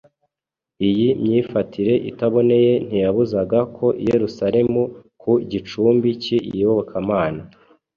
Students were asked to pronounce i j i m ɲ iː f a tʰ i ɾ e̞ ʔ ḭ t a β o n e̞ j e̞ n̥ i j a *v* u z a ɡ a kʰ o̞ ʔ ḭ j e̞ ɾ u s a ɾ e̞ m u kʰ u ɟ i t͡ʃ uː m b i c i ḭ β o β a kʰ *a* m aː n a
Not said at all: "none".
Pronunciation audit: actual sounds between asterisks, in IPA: β, a

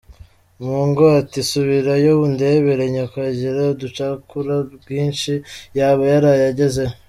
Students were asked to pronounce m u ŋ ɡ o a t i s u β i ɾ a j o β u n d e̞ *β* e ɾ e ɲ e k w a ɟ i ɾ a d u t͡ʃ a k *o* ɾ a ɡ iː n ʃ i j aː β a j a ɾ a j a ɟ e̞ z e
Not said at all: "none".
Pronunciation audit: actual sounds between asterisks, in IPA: β, u

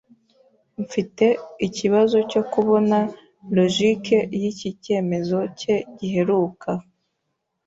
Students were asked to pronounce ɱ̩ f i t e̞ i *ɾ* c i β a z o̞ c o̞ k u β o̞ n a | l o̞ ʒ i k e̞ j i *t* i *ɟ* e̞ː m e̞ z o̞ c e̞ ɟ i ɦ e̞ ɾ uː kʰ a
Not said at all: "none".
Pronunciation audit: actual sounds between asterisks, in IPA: none, c, c

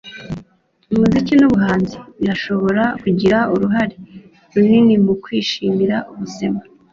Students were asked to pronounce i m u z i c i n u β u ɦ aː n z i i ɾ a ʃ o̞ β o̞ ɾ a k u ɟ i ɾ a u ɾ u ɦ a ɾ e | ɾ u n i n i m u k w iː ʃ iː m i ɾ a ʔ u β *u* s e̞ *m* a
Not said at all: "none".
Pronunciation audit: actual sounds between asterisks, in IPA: u, m

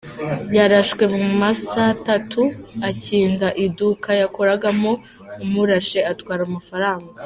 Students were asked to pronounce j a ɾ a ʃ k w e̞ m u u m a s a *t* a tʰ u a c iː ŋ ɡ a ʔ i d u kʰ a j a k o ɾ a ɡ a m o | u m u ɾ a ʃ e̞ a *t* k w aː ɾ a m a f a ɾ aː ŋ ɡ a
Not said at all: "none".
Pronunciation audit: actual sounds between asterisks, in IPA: t, t

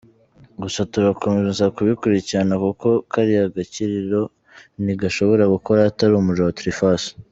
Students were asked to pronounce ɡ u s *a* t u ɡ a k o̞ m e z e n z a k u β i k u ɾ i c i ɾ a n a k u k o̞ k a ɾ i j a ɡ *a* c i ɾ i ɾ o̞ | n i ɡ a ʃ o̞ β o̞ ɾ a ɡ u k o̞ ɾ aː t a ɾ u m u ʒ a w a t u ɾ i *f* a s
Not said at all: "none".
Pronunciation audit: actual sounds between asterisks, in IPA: a, a, f

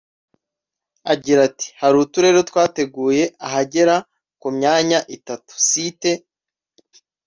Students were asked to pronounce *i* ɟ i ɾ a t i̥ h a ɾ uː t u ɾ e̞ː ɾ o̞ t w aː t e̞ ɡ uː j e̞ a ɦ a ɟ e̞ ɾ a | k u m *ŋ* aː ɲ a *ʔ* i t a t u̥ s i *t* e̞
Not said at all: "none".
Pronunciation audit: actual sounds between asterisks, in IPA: a, ɲ, ʔ, t

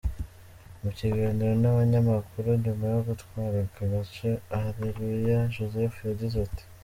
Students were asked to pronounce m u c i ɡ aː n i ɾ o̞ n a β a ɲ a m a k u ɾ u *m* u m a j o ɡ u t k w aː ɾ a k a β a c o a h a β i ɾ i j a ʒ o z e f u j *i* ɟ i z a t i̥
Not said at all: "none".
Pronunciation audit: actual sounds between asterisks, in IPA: ɲ, a

